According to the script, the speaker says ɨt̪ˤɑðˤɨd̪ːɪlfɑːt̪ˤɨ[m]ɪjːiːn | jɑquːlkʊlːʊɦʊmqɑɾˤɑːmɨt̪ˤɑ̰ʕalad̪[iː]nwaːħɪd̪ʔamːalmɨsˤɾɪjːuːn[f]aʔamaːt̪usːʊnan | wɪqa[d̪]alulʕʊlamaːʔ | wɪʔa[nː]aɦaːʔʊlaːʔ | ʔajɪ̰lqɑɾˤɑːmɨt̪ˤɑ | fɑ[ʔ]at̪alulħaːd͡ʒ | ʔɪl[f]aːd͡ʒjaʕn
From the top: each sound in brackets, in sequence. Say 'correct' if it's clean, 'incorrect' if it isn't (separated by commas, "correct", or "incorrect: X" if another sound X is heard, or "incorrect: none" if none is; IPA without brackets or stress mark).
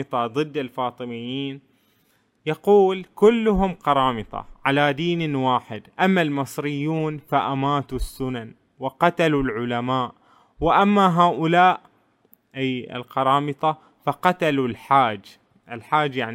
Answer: correct, correct, correct, incorrect: t̪, incorrect: mː, incorrect: q, incorrect: ħ